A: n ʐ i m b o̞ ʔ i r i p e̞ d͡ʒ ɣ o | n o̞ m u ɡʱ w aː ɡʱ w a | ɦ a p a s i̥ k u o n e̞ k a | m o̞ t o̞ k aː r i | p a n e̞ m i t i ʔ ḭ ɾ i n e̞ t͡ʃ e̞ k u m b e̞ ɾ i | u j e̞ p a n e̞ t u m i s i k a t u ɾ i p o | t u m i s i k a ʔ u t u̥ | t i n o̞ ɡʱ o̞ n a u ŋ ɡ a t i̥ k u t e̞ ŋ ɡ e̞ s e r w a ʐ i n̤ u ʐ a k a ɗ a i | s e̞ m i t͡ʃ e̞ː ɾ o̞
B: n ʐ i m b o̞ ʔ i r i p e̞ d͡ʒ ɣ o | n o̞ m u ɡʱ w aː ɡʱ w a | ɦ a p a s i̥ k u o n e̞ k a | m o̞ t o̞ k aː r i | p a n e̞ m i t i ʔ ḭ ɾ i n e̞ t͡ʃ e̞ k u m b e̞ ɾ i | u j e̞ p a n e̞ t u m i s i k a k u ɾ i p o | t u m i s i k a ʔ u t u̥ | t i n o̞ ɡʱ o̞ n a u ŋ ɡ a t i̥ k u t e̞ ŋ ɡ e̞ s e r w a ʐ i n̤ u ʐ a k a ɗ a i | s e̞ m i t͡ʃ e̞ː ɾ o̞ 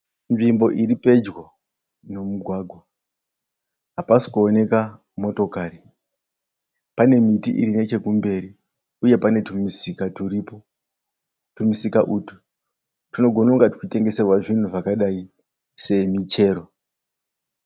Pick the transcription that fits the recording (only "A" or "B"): A